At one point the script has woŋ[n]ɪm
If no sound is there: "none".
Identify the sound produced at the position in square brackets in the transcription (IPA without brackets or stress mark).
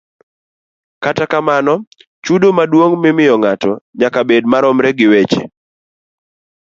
m